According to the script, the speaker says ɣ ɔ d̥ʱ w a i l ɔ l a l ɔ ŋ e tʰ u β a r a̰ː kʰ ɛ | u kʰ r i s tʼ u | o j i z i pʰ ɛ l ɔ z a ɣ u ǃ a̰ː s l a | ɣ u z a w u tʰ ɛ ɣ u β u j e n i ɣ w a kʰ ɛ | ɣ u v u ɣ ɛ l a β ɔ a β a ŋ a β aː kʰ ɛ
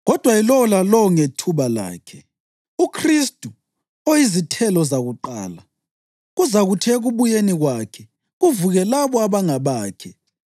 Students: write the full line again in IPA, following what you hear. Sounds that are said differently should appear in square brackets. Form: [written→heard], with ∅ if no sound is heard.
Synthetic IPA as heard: ɣ ɔ d̥ʱ w a i l ɔ l a l ɔ ŋ e tʰ u β a [r→l] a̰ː kʰ ɛ | u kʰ r i s tʼ u | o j i z i [pʰ→tʰ] ɛ l ɔ z a ɣ u ǃ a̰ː [s→∅] l a | ɣ u z a [w→ɣ] u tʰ ɛ ɣ u β u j e n i ɣ w a kʰ ɛ | ɣ u v u ɣ ɛ l a β ɔ a β a ŋ a β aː kʰ ɛ

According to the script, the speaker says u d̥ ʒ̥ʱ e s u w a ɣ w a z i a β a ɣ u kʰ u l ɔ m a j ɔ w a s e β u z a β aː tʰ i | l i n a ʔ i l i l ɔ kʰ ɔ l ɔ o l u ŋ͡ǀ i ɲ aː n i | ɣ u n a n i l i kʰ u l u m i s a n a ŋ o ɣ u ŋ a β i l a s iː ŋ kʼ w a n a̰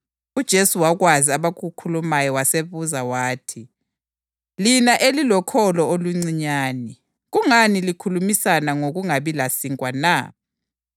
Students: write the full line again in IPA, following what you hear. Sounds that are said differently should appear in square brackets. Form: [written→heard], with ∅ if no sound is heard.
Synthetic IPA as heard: u d̥ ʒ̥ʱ e s u w a ɣ w a z i a β a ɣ u kʰ u l [ɔ→u] m a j ɔ w a s e β u z a [β→w] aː tʰ i | l i n a ʔ [i→e] l i l ɔ kʰ ɔ l ɔ o l u ŋ͡ǀ i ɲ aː n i | ɣ u [n→ŋ] a n i l i kʰ u l u m i s a n a ŋ o ɣ u ŋ a β i l a s [iː→i] ŋ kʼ w a n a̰

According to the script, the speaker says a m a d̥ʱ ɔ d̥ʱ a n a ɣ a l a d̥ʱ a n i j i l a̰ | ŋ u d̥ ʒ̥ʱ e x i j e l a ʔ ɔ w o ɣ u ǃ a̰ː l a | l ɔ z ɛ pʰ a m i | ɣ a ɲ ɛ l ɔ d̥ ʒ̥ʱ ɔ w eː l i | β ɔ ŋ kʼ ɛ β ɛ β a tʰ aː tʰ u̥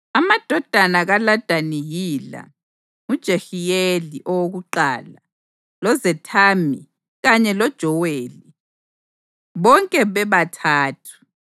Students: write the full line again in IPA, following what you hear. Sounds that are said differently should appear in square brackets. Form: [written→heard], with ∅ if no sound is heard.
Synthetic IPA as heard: a m a d̥ʱ ɔ d̥ʱ a n a ɣ a l a d̥ʱ a n i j i l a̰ | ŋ u d̥ ʒ̥ʱ e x i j e l [a→i] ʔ ɔ w o ɣ u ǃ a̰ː l a | l ɔ z ɛ [pʰ→tʰ] a m i | ɣ a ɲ ɛ l ɔ d̥ ʒ̥ʱ ɔ w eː l i | β ɔ ŋ kʼ ɛ β ɛ β a tʰ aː tʰ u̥

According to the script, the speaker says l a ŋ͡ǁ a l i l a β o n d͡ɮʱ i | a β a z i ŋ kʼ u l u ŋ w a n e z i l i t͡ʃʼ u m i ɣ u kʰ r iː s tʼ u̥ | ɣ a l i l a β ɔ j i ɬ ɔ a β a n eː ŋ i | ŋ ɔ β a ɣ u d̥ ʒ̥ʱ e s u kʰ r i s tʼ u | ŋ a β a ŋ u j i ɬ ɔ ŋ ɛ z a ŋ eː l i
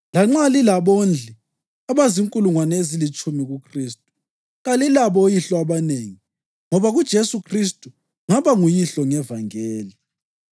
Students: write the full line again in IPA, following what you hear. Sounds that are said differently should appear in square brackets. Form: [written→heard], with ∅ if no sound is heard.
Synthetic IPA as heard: l a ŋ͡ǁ a l i l a β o n d͡ɮʱ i | a β a z i ŋ kʼ u l u ŋ w a n e z i l i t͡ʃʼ u m i ɣ u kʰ r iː s tʼ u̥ | ɣ a l i l a β ɔ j i ɬ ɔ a β a n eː ŋ i | ŋ ɔ β a ɣ u d̥ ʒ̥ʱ e s u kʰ r i s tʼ u | ŋ a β a ŋ u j i ɬ ɔ ŋ ɛ [z→v] a ŋ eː l i

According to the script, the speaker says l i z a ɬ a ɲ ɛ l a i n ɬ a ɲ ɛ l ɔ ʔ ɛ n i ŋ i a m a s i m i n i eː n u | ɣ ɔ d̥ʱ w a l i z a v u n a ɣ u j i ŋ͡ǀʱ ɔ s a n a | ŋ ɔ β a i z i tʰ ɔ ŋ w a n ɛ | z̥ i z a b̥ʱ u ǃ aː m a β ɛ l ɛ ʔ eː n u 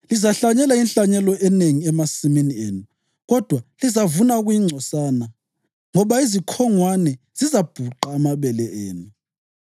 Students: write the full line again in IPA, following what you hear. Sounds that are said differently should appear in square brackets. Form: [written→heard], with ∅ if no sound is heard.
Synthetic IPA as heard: l i z a ɬ a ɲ ɛ l a i n ɬ a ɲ ɛ l ɔ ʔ ɛ n [i→e] ŋ i [a→ɛ] m a s i m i n i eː n u | ɣ ɔ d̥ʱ w a l i z a v u n a ɣ u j i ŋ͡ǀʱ ɔ s a n a | ŋ ɔ β a i z i [tʰ→kʰ] ɔ ŋ w a n ɛ | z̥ i z a b̥ʱ u ǃ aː m a β ɛ l ɛ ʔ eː n u

